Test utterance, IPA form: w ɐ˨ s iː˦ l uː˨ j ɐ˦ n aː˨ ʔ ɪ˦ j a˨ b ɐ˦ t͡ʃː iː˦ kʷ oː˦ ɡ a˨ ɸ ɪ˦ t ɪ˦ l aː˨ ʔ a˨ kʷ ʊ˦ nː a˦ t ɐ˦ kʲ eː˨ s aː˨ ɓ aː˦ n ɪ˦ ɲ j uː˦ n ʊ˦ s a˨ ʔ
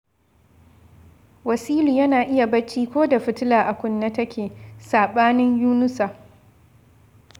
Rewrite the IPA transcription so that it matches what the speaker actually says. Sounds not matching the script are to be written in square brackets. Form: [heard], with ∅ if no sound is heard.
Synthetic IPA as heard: w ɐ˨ s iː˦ l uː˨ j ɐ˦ n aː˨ ʔ ɪ˦ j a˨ b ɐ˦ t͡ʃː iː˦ kʷ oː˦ [d] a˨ ɸ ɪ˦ t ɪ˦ l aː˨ ʔ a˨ kʷ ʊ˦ nː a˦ t ɐ˦ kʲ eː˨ s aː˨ ɓ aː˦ n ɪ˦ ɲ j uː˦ n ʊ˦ s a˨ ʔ